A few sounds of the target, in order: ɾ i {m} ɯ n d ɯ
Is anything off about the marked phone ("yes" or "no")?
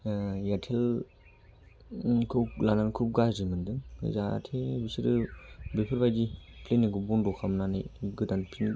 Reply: no